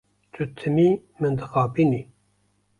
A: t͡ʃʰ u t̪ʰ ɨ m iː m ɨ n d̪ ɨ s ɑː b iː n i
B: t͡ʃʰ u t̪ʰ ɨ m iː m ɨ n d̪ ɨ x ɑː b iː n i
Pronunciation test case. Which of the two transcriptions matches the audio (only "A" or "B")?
B